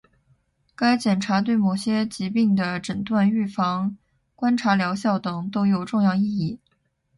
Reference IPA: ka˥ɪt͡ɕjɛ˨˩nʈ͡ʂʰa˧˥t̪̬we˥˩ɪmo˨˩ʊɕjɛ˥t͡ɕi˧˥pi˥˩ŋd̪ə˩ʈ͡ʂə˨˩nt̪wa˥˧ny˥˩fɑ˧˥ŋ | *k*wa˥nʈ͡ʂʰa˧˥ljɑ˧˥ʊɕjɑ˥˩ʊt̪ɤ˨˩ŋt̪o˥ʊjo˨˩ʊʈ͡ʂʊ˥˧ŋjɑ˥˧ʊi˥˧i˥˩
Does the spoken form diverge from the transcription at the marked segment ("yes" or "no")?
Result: no